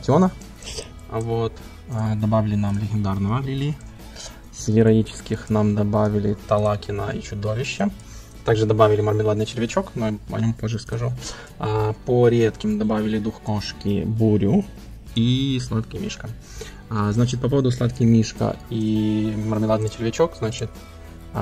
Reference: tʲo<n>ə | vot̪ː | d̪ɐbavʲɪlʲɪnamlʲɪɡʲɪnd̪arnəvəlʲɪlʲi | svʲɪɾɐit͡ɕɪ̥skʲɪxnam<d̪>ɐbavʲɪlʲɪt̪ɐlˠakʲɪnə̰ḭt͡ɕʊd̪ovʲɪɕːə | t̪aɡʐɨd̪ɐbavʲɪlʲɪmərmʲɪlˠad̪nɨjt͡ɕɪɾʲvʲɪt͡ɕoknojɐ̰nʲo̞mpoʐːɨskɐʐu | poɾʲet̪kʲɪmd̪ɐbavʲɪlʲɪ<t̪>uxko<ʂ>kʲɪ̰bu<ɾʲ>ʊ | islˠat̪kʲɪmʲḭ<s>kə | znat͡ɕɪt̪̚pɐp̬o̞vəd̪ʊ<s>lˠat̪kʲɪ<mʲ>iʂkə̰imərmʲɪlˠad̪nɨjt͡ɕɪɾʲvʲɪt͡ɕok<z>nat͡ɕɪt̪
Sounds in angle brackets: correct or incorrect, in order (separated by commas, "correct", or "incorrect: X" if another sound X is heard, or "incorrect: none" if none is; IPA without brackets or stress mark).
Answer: correct, correct, incorrect: d̪, correct, correct, incorrect: ʂ, correct, correct, correct